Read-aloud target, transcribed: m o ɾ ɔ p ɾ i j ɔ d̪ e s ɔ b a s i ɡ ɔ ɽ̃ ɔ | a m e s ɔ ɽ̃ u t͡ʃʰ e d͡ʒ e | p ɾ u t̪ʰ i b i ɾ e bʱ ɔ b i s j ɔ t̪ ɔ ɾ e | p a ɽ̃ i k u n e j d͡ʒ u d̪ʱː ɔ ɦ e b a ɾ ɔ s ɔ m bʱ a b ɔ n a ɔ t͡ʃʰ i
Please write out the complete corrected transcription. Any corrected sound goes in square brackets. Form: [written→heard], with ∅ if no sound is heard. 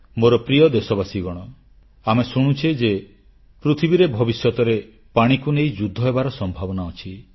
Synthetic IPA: m o ɾ ɔ p ɾ i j ɔ d̪ e s ɔ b a s i ɡ ɔ ɽ̃ ɔ | a m e s [ɔ→u] ɽ̃ u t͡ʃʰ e d͡ʒ e | p ɾ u t̪ʰ i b i ɾ e bʱ ɔ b i s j ɔ t̪ ɔ ɾ e | p a ɽ̃ i k u n e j d͡ʒ u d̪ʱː ɔ ɦ e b a ɾ ɔ s ɔ m bʱ a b ɔ n a ɔ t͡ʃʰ i